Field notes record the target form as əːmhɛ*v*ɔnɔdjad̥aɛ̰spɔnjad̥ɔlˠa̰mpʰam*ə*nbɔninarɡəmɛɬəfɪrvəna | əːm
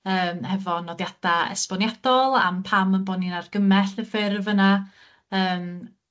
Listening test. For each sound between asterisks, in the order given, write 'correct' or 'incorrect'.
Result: correct, correct

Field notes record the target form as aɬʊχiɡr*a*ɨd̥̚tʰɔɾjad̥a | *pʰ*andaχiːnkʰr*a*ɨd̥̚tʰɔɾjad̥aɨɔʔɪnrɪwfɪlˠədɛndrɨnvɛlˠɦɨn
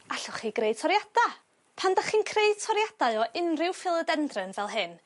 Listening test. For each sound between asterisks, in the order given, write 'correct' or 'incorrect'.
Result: incorrect: e, correct, incorrect: e

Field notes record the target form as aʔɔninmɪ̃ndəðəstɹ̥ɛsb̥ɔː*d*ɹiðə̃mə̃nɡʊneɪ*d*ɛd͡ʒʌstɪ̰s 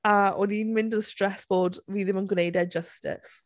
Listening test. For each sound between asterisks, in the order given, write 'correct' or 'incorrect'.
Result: correct, correct

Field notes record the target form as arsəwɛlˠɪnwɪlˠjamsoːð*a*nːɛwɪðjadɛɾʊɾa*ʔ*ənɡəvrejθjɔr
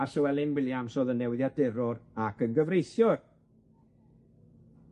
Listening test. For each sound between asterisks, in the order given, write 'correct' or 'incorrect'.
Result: incorrect: ə, incorrect: k

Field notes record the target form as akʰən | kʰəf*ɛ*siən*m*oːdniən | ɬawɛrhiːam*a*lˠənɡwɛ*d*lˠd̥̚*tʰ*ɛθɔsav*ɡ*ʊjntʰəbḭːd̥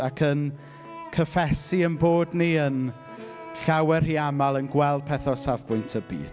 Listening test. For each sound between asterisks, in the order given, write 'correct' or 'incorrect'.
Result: correct, incorrect: b, correct, incorrect: none, incorrect: pʰ, incorrect: b

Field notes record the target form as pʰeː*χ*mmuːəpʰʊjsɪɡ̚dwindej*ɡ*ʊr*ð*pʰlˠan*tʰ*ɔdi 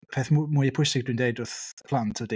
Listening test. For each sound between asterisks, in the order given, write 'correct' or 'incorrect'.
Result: incorrect: θ, incorrect: d, incorrect: θ, correct

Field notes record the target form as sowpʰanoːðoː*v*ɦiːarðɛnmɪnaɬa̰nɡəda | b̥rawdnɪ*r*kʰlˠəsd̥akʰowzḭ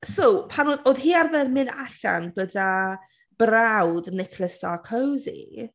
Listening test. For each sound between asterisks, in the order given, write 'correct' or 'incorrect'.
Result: incorrect: ð, incorrect: none

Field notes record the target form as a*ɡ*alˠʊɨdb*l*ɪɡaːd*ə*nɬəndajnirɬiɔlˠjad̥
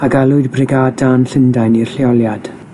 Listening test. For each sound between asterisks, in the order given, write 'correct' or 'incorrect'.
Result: correct, incorrect: r, incorrect: a

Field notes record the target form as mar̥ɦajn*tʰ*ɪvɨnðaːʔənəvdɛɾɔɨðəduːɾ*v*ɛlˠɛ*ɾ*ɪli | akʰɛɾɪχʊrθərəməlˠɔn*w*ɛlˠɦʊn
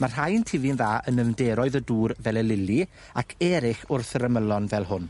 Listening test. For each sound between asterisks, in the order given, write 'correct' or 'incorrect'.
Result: correct, correct, incorrect: l, incorrect: v

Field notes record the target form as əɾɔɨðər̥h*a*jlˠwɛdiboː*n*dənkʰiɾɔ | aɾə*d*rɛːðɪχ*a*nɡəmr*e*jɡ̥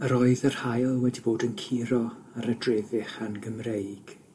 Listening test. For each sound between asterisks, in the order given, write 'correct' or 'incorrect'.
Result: correct, incorrect: none, correct, correct, correct

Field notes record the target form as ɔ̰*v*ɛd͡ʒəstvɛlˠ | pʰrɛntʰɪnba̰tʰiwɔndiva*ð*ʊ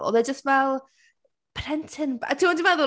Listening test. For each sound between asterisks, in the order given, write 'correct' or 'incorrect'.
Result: incorrect: ð, correct

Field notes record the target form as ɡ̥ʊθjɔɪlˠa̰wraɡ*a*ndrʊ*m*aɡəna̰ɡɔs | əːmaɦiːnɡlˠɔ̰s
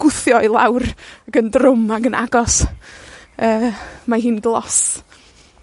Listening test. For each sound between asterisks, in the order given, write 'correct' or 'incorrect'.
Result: incorrect: ə, correct

